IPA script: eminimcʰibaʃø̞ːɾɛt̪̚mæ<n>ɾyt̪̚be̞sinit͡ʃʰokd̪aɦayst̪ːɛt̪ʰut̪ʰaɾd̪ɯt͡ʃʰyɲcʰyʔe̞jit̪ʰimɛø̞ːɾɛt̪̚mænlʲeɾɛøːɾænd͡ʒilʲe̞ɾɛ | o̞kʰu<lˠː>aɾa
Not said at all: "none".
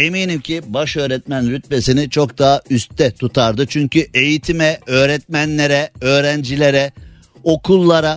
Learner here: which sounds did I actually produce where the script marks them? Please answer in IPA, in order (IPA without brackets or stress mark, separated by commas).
n, lˠː